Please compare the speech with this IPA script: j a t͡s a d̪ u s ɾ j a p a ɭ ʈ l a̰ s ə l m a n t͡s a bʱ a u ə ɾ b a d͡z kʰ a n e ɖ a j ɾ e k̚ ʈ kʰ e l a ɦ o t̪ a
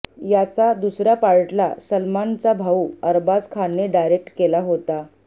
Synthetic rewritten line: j a t͡s a d̪ u s ɾ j a p a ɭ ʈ l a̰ s ə l m a n t͡s a bʱ a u ə ɾ b a d͡z kʰ a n e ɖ a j ɾ e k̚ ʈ k e l a ɦ o t̪ a